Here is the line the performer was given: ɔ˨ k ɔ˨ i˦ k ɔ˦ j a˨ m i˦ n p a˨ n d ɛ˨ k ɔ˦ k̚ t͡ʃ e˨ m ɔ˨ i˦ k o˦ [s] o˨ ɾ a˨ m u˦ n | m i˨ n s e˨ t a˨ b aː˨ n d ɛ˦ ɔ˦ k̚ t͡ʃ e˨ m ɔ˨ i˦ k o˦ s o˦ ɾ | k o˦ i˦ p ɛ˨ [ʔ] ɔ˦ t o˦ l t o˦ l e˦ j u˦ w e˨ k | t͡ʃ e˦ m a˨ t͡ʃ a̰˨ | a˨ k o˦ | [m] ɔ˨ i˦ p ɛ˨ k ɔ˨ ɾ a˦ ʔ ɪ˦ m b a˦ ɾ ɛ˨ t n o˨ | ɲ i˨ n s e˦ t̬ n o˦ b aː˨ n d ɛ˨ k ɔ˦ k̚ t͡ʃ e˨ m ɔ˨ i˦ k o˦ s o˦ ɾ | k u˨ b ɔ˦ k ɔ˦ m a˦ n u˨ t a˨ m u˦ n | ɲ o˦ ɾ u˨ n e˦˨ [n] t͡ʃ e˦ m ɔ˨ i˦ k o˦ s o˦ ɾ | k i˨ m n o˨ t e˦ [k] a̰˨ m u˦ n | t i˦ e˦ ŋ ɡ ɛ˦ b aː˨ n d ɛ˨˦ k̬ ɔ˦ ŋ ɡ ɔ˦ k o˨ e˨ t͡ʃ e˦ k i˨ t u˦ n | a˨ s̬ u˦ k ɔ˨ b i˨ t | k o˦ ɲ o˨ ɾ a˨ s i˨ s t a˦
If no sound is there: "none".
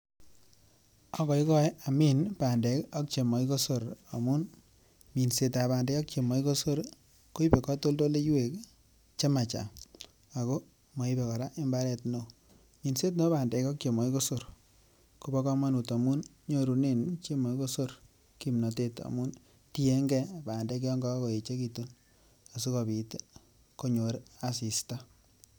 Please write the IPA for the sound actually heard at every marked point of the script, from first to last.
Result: s, k, m, n, t

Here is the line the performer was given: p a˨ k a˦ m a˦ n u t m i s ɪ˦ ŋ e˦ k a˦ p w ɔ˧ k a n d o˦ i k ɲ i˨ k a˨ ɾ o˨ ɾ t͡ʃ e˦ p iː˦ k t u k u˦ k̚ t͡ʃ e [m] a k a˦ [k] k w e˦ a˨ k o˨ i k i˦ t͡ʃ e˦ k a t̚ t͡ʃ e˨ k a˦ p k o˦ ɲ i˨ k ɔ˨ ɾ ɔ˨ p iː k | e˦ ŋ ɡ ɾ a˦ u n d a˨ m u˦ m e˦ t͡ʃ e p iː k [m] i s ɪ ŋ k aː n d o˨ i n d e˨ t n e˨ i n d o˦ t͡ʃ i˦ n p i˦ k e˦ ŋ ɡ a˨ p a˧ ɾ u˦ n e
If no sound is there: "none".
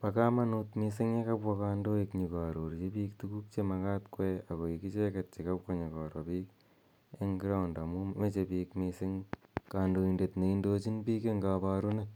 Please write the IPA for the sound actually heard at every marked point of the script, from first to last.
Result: m, t, m

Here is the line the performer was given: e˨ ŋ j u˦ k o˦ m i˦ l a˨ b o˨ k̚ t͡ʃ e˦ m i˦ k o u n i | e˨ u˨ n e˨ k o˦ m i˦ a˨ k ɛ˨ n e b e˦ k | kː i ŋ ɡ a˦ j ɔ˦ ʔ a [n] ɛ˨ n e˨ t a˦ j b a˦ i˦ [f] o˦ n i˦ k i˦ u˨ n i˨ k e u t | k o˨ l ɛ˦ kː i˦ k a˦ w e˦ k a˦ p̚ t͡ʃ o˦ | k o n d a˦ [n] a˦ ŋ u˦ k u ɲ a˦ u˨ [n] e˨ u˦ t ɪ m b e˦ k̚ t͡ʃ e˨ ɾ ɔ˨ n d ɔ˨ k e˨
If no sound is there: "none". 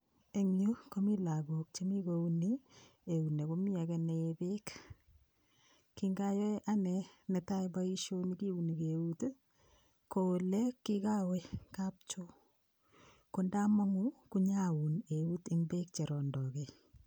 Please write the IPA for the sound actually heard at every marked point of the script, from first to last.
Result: n, ʃ, m, n

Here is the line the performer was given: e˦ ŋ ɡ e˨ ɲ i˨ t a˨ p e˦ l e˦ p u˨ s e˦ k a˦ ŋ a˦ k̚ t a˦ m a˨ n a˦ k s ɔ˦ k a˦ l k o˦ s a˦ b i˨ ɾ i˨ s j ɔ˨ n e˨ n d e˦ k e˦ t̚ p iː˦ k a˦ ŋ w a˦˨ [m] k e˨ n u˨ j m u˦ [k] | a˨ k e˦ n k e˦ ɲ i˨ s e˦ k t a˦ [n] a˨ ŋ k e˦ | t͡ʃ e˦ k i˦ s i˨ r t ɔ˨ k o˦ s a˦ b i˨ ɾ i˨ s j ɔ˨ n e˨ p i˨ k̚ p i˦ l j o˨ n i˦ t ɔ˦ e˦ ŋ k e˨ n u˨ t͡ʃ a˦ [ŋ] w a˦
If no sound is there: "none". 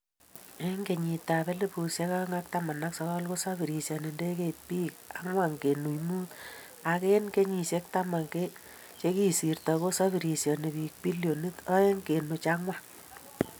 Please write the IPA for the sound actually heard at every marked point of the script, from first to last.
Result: ŋ, t, m, ŋ

